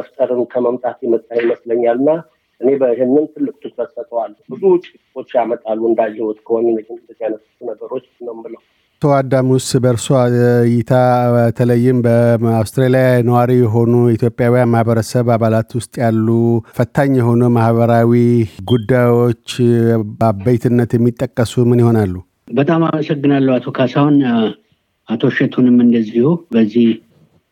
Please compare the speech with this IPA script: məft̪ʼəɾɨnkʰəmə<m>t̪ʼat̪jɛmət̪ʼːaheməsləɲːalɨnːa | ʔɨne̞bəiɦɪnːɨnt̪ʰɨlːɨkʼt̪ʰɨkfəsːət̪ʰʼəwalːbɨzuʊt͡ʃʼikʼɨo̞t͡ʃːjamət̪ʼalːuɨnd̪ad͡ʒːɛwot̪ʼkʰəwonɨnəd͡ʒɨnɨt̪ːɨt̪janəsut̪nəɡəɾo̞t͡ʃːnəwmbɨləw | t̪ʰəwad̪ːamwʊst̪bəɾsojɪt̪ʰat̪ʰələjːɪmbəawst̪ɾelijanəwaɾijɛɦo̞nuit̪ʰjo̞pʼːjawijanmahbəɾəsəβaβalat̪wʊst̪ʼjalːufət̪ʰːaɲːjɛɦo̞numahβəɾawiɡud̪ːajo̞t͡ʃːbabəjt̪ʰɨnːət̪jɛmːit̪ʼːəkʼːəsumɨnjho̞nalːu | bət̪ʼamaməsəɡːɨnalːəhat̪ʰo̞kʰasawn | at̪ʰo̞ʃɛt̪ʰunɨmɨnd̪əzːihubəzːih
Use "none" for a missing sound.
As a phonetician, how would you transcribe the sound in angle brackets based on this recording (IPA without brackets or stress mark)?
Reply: m